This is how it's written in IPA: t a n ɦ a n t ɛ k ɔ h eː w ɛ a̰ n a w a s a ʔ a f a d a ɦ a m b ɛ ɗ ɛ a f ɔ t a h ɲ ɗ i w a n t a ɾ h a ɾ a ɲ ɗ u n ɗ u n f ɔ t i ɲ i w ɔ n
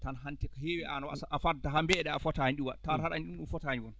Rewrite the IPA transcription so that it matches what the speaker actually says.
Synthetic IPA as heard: t a n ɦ a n t ɛ k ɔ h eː w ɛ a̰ n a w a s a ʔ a f a d a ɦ a m b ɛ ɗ ɛ a f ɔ t a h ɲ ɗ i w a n t a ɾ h a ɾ a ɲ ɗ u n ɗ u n f ɔ t a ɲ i w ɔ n